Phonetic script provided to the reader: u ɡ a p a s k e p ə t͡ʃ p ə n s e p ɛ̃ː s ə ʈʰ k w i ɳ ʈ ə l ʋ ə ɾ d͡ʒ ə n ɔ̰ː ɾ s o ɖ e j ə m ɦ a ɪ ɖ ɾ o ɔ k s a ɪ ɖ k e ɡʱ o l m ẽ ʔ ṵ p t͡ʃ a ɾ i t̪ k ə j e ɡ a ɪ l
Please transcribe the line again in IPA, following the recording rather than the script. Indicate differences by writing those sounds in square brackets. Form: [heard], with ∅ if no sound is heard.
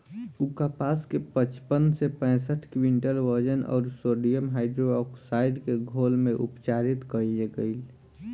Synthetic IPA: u [k] a p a s k e p ə t͡ʃ p ə n s e p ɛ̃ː s ə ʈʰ k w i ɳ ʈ ə l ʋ ə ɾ d͡ʒ ə n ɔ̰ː ɾ s o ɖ [i] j ə m ɦ a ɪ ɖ ɾ o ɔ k s a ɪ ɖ k e ɡʱ o l m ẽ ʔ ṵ p t͡ʃ a ɾ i t̪ k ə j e ɡ [ə] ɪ l